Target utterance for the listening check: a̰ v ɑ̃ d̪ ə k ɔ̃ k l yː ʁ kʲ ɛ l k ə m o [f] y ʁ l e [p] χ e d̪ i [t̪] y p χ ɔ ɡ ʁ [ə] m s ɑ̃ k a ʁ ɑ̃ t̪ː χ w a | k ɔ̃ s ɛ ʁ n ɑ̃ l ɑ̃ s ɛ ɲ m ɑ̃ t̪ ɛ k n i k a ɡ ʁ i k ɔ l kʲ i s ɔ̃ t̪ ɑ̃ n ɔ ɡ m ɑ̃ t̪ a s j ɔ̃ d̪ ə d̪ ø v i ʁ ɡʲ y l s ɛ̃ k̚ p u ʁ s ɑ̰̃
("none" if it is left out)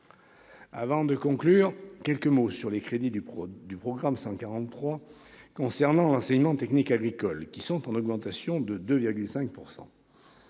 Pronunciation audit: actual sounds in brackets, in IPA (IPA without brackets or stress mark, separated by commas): s, k, d̪, a